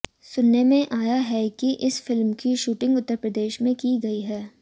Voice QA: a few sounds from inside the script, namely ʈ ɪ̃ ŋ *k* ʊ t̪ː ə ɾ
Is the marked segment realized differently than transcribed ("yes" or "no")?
yes